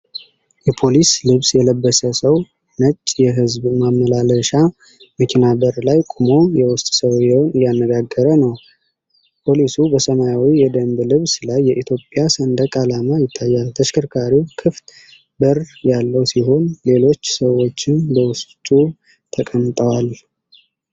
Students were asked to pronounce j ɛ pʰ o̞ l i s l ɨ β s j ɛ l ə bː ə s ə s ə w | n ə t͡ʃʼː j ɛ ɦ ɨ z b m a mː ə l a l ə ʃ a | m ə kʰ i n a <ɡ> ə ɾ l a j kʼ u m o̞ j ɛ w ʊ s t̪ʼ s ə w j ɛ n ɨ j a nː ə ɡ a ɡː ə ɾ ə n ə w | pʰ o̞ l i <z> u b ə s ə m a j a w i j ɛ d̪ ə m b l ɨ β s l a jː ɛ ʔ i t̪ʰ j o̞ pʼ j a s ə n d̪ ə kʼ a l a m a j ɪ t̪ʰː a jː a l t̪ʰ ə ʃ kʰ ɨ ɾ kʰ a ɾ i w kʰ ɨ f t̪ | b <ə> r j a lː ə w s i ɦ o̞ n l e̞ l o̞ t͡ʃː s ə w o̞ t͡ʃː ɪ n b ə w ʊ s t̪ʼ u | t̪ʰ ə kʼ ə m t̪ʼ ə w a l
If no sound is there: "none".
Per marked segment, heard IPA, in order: b, s, ə

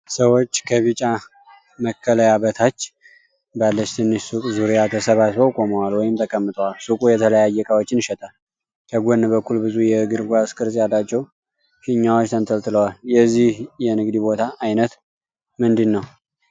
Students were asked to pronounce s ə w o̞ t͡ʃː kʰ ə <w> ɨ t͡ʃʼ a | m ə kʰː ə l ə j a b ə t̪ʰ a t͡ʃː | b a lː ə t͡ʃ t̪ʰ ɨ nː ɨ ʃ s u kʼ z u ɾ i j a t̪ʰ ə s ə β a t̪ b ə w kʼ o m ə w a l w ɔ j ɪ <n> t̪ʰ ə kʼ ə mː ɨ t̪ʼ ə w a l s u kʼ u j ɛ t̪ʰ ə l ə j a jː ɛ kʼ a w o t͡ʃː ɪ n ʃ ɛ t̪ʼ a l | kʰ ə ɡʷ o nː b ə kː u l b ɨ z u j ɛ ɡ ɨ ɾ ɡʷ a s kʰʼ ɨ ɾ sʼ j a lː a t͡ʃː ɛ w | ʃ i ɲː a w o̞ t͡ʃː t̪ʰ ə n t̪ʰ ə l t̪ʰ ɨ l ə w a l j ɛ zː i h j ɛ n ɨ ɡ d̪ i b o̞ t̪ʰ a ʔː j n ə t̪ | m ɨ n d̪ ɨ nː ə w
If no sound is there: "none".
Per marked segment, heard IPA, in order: β, m

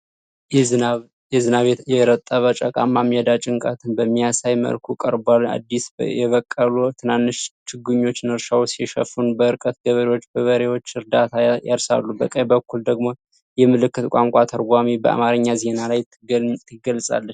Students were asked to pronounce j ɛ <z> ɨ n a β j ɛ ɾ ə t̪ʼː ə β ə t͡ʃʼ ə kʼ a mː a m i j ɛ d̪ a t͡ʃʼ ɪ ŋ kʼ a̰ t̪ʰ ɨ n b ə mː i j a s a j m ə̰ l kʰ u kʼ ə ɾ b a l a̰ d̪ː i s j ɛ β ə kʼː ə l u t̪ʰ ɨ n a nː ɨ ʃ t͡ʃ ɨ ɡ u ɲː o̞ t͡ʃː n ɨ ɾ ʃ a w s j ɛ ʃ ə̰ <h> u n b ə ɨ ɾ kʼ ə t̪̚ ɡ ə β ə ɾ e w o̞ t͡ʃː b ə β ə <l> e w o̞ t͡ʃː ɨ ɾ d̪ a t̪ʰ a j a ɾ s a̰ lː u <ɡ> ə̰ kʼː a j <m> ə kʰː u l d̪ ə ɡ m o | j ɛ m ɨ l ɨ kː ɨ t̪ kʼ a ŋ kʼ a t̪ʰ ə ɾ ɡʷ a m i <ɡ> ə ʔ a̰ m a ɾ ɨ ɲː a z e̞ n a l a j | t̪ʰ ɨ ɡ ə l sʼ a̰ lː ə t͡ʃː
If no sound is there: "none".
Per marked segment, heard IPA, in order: z, f, ɾ, b, b, b

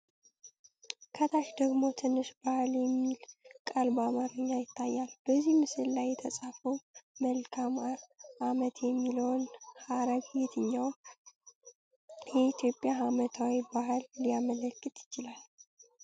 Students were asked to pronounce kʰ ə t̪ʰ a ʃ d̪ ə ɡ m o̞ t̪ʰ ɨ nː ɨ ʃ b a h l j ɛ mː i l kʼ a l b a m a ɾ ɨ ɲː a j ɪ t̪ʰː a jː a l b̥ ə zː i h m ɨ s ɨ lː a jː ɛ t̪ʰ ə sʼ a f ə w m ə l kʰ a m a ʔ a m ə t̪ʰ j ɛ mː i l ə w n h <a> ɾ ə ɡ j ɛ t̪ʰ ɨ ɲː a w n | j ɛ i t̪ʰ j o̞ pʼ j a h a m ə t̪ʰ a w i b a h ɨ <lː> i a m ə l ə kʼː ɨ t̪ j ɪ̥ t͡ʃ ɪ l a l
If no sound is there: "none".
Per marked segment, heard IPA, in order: a, lː

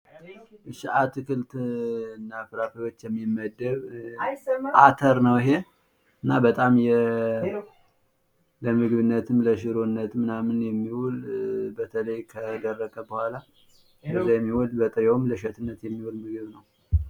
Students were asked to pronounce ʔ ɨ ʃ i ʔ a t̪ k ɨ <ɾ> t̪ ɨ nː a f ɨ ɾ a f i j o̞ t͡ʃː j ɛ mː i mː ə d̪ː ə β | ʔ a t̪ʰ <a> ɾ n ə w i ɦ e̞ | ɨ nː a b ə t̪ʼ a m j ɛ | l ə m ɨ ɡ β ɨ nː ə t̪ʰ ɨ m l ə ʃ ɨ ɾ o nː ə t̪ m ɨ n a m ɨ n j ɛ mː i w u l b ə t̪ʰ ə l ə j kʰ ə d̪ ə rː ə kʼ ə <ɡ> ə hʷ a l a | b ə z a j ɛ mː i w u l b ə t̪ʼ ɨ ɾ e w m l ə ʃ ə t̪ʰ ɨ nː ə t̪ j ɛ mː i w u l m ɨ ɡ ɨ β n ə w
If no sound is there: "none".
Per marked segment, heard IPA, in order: l, ə, b

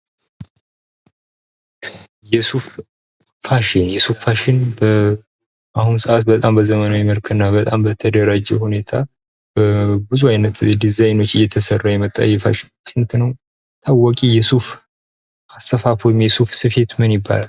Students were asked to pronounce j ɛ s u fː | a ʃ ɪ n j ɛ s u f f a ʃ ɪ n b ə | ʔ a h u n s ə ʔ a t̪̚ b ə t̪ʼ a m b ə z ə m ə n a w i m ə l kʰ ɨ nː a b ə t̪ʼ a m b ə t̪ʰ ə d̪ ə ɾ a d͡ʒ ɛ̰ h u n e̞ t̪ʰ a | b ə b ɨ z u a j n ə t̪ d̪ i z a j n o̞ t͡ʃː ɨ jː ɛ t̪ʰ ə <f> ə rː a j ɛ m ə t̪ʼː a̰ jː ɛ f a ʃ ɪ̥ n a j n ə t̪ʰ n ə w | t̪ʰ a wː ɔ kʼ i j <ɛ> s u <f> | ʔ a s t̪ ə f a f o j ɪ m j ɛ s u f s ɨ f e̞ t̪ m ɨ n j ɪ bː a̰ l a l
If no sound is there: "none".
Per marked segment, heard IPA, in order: s, ɛ, f

